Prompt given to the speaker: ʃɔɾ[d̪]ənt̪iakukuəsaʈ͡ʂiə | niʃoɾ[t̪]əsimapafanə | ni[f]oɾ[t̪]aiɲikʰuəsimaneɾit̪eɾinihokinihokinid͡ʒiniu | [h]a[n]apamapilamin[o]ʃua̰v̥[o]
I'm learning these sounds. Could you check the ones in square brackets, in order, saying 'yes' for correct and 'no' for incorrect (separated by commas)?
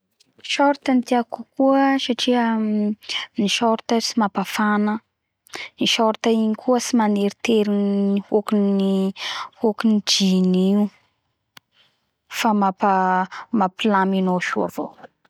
no, yes, no, yes, no, no, yes, yes